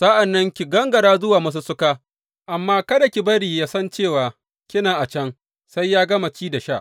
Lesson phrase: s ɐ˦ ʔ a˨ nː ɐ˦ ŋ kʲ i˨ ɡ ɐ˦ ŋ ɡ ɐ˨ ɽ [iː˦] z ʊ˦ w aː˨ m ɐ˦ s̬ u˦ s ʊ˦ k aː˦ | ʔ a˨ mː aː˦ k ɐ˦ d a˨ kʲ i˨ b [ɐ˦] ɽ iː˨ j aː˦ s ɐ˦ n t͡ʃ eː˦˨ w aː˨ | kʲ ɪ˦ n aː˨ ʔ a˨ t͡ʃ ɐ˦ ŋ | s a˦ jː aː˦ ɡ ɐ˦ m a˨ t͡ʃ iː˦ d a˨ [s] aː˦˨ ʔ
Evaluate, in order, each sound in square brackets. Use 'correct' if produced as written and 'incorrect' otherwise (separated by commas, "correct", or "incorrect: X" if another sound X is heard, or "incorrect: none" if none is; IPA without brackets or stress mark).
incorrect: aː˦, correct, incorrect: ʃ